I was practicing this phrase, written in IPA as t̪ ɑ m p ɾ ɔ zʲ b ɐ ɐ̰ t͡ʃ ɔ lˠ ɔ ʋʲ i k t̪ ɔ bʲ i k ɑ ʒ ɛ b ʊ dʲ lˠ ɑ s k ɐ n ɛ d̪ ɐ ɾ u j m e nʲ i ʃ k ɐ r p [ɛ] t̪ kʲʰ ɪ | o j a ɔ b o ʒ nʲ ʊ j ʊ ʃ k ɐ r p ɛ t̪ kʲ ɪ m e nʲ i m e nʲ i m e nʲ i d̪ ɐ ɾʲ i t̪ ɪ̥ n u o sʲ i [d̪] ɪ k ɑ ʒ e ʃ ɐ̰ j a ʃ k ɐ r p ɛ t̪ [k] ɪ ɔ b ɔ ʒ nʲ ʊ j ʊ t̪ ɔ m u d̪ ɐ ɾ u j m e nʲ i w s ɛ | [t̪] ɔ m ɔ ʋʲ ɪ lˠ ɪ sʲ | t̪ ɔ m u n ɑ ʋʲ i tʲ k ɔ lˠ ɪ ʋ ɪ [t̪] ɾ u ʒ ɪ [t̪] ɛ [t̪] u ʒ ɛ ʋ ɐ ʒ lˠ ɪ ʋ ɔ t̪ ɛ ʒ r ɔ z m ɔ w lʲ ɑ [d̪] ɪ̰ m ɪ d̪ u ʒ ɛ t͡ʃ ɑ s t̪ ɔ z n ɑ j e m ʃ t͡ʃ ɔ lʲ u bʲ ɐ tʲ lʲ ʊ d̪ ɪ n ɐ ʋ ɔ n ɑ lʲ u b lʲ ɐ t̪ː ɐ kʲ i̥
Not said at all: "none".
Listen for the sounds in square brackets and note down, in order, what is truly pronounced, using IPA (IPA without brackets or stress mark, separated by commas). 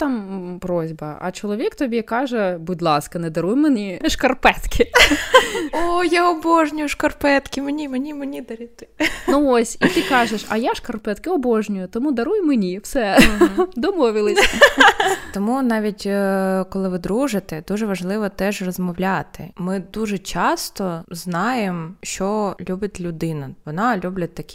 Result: ɛ, t̪, k, d̪, d̪, t̪, d̪, t̪